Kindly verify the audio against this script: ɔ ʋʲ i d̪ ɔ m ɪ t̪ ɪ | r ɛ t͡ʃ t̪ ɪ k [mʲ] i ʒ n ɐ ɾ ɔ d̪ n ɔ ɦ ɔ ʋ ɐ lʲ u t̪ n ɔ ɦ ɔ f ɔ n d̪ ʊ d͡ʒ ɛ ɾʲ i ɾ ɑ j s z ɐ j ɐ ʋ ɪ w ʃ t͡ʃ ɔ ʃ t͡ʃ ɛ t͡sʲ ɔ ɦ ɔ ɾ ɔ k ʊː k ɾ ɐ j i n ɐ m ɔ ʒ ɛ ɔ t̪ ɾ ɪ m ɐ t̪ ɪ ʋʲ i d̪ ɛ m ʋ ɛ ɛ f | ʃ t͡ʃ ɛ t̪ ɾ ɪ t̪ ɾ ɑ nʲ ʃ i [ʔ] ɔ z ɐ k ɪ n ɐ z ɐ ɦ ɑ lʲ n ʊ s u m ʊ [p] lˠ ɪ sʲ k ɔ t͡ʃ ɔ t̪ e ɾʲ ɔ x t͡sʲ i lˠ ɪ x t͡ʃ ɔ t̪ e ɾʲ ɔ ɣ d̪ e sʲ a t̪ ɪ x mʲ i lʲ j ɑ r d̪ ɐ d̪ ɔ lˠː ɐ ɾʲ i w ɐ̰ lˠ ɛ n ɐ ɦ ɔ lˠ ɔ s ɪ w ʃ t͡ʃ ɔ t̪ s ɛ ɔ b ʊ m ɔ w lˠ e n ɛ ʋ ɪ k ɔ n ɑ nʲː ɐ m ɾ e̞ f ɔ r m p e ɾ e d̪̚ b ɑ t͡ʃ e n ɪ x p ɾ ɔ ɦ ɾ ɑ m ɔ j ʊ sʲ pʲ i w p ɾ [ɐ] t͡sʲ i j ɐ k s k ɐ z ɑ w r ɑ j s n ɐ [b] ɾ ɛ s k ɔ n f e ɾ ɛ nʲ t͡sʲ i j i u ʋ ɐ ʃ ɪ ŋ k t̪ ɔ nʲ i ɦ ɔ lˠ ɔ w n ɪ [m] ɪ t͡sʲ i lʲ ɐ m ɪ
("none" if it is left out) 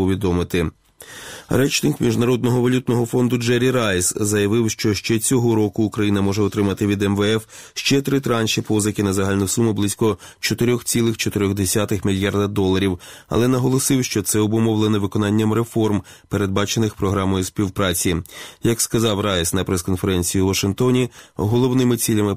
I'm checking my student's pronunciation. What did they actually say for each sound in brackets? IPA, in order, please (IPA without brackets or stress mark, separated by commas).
mʲ, p, b, ɑ, p, m